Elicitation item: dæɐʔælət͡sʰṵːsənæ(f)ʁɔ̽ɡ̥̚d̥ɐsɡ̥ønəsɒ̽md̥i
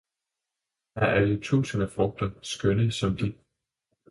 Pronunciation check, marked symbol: correct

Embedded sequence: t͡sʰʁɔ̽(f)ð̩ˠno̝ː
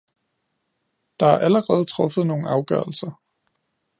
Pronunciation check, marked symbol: correct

